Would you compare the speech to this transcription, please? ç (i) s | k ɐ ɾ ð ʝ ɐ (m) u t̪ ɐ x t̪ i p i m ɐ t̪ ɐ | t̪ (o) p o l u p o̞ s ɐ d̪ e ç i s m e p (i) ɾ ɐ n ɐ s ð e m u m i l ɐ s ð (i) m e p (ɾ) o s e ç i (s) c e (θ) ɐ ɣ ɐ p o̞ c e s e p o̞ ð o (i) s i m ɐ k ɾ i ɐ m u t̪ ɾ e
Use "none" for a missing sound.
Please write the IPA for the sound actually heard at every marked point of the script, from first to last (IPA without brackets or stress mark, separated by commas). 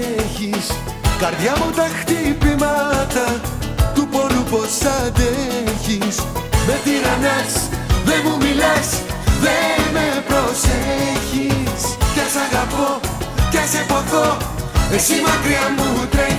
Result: i, m, u, i, e, ɾ, s, s, e